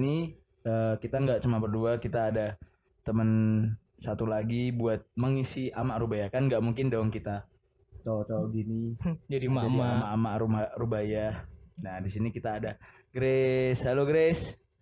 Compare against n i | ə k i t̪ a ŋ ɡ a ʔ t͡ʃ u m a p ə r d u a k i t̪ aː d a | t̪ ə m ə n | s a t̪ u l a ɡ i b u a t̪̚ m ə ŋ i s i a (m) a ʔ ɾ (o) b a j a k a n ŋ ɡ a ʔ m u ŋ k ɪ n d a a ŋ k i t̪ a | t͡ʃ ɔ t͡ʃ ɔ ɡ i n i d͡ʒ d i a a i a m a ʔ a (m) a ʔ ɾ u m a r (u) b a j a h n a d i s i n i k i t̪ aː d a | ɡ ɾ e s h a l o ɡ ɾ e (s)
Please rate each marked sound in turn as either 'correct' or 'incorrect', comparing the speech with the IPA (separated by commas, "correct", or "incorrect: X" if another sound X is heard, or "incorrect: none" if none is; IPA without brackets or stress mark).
correct, incorrect: u, correct, correct, correct